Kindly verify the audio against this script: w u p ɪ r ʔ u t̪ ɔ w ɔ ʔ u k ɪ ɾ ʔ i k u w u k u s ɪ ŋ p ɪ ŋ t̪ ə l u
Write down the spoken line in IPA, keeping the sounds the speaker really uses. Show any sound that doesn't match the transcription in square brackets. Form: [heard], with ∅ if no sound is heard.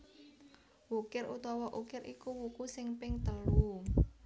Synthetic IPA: w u [k] ɪ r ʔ u t̪ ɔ w ɔ ʔ u k ɪ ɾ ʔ i k u w u k u s ɪ ŋ p ɪ ŋ t̪ ə l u